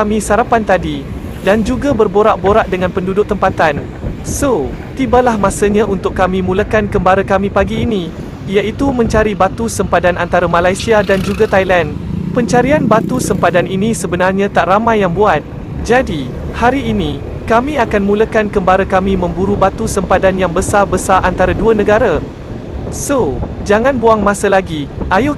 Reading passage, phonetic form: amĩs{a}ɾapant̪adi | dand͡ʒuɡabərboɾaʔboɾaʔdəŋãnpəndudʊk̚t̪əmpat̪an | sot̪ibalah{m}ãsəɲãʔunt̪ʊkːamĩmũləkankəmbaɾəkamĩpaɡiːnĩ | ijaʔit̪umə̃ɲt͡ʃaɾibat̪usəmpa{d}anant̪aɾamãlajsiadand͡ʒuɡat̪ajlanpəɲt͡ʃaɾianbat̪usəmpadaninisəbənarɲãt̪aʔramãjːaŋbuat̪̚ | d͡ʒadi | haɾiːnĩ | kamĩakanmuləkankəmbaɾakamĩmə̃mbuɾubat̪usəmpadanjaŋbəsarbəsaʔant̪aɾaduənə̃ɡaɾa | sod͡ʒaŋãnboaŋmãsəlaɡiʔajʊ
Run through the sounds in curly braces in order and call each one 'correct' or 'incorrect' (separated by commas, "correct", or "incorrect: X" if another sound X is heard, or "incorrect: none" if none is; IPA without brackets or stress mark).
correct, correct, correct